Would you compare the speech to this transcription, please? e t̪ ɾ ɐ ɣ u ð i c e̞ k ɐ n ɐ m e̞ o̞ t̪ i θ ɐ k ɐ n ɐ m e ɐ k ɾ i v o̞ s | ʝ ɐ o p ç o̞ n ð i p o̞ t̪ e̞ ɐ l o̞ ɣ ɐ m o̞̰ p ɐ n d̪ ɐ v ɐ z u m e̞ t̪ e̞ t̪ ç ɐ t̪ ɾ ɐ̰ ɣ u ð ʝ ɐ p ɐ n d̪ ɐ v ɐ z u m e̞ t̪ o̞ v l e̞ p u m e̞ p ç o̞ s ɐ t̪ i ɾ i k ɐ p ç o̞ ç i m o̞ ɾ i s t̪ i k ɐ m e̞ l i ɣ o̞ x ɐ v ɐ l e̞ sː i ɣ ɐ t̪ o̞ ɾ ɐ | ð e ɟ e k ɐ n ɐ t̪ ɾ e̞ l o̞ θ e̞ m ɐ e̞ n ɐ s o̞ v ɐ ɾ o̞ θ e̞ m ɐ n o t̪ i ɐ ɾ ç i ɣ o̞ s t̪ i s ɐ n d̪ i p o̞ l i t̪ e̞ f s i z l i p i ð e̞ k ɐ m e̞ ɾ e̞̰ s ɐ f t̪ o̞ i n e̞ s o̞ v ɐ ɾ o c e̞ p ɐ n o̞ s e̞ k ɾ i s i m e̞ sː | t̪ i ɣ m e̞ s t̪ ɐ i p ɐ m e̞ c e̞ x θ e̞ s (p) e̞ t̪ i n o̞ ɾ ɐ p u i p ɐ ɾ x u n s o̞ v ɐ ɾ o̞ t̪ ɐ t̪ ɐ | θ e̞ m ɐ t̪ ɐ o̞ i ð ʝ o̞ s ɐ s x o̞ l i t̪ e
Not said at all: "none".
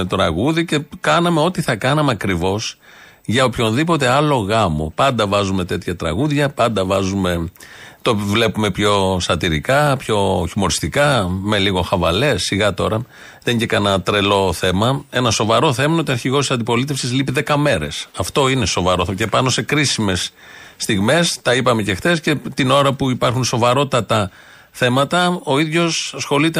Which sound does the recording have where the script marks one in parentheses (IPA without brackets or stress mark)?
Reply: c